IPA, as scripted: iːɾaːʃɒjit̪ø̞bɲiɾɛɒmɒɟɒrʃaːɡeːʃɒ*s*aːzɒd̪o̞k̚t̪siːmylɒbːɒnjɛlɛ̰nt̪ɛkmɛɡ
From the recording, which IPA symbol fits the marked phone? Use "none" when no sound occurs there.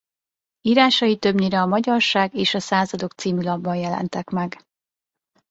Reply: s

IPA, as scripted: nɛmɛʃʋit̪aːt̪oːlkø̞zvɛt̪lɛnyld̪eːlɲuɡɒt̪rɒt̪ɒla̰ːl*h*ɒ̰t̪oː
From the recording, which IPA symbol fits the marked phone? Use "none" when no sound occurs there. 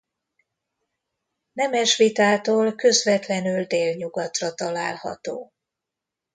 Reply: h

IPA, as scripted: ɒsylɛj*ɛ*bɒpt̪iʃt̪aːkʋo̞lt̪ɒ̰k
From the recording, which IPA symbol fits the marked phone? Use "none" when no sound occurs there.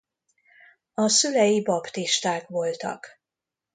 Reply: i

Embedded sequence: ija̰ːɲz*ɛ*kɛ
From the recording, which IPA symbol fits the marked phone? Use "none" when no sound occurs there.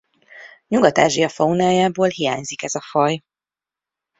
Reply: i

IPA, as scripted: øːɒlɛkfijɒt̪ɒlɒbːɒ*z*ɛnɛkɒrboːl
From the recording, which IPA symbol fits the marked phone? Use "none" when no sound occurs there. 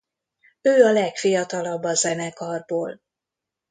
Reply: z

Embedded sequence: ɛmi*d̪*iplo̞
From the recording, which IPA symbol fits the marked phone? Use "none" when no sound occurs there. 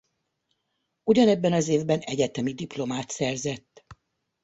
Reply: d̪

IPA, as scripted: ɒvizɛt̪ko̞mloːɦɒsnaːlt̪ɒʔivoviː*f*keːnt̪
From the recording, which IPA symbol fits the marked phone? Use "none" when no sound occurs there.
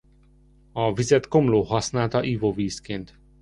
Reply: s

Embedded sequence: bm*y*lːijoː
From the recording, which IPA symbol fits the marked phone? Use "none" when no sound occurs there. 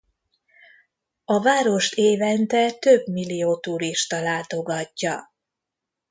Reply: i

